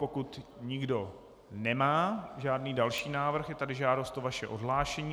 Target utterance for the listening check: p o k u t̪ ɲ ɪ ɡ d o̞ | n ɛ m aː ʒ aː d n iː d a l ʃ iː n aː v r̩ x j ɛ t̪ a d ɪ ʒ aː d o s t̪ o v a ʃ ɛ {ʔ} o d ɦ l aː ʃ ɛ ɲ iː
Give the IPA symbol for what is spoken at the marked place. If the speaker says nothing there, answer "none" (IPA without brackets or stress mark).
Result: ʔ